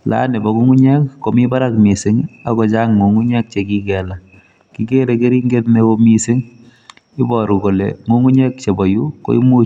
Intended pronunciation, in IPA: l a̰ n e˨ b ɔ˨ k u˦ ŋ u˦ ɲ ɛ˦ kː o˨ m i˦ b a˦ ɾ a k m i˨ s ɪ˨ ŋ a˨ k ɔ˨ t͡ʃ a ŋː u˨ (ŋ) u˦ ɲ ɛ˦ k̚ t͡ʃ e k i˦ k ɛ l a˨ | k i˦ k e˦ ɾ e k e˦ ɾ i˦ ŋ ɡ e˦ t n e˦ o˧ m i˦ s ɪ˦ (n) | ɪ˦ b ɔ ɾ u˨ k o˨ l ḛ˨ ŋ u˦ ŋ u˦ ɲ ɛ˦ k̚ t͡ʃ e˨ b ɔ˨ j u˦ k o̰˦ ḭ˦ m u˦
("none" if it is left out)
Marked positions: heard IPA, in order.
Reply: ŋ, ŋ

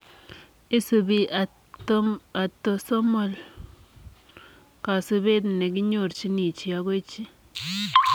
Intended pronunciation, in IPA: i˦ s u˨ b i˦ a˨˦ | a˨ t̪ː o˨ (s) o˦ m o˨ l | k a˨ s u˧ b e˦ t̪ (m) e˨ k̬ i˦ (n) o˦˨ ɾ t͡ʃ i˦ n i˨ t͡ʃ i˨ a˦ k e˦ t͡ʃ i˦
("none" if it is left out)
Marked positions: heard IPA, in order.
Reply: s, n, ɲ

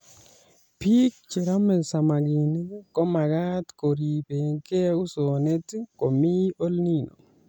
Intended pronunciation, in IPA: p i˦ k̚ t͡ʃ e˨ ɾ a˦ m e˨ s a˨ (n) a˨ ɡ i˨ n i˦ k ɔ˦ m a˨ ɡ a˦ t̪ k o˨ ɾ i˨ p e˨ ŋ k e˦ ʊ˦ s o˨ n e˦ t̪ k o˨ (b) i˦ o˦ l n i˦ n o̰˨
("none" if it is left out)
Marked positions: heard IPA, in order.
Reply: m, m

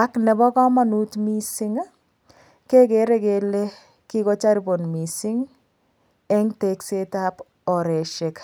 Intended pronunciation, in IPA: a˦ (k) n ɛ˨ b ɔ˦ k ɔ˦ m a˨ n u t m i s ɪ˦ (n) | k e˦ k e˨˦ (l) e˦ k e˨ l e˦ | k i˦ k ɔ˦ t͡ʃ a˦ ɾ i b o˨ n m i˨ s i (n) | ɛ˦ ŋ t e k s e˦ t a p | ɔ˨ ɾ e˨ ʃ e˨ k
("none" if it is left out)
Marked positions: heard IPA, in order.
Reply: k, ŋ, ɾ, ŋ

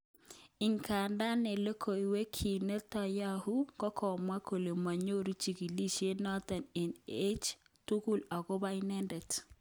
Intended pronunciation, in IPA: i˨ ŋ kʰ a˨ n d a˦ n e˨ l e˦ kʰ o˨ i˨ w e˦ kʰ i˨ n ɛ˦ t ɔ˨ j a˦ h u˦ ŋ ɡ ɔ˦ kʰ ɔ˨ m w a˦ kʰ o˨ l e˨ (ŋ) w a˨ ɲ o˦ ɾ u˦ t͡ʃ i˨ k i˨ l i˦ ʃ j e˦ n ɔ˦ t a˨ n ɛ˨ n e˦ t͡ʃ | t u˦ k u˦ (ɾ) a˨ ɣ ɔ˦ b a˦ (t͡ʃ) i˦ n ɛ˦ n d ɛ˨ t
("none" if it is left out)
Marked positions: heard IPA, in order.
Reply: m, l, none

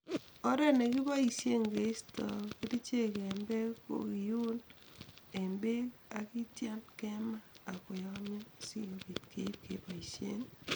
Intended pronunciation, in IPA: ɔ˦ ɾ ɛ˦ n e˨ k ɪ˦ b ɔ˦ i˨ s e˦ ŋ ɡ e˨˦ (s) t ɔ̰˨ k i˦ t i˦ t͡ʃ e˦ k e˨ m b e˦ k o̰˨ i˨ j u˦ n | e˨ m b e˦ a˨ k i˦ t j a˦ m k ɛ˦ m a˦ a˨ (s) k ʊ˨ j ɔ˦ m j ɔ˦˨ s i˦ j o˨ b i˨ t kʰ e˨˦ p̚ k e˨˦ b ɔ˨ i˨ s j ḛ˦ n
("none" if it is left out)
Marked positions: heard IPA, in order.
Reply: s, none

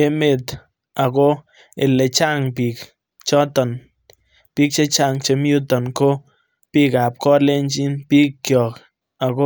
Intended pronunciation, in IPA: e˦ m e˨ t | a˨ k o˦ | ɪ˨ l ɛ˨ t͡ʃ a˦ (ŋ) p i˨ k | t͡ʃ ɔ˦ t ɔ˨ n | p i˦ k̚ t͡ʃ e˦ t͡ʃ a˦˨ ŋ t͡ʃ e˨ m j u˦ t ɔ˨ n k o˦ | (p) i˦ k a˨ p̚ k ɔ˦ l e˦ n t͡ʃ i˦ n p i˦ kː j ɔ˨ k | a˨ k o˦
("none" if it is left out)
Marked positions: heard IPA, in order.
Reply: ŋ, p

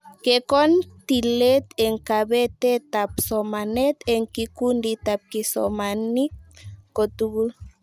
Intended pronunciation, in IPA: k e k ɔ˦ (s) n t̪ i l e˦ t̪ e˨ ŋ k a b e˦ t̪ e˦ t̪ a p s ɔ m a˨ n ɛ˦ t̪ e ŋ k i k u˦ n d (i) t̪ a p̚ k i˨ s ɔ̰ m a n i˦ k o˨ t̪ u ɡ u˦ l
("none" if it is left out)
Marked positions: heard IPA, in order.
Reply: none, i

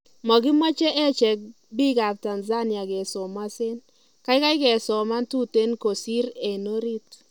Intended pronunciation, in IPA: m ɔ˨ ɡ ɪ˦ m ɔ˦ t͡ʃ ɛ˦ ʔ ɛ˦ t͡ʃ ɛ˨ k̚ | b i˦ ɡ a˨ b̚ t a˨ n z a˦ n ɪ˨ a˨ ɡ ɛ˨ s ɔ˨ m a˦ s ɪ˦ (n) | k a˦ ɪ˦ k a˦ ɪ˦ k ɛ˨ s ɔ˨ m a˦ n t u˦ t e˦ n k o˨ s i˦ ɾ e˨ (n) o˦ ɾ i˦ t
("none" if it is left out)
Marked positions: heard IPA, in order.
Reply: n, n

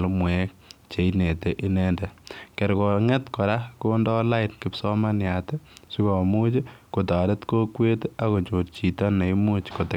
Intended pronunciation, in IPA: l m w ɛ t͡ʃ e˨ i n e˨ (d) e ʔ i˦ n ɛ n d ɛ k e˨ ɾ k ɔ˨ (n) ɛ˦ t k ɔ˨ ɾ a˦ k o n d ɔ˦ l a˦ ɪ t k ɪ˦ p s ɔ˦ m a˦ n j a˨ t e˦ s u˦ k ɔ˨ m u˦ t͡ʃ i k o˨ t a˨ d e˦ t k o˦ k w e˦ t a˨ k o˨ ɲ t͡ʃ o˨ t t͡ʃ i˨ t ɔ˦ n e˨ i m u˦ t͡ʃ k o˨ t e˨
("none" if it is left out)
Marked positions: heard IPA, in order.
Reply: t, ŋ

